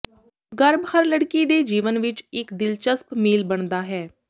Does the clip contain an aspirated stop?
no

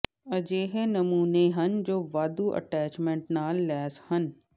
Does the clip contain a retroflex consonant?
yes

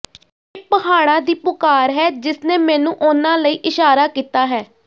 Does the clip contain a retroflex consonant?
yes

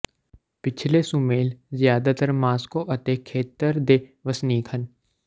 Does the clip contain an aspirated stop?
yes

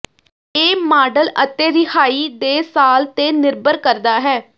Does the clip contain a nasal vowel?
no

